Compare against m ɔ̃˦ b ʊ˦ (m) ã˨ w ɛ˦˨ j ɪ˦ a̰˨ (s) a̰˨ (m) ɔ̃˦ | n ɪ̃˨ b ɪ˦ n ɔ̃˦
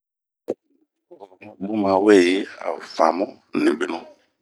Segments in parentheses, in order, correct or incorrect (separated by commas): correct, incorrect, correct